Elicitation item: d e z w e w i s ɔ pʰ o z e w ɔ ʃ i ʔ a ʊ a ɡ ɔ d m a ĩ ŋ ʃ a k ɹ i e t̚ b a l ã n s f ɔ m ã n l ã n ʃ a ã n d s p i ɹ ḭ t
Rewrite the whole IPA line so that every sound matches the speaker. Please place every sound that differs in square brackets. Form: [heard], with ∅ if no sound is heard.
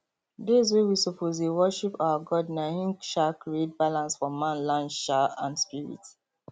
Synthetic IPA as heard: d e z w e w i s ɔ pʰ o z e w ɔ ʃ i [p] a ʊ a ɡ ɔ d [n] a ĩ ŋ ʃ a k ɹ i e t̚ b a l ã n s f ɔ m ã n l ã n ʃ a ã n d s p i ɹ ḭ t